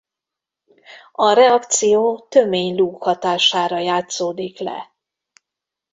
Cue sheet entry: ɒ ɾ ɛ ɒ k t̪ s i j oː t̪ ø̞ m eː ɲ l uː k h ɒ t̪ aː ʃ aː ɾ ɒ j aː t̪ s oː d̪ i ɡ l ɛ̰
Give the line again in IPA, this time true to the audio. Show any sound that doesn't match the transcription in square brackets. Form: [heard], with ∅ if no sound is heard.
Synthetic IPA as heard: ɒ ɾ ɛ ɒ k t̪ s i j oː t̪ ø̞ m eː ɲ l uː k h ɒ t̪ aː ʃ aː ɾ ɒ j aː t̪ s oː d̪ i [k] l ɛ̰